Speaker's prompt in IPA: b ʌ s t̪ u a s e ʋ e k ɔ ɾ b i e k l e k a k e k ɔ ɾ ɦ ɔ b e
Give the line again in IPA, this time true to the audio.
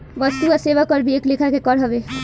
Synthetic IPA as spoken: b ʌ s t̪ u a s e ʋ a k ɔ ɾ b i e k l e kʰ a k e k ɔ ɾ ɦ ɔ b e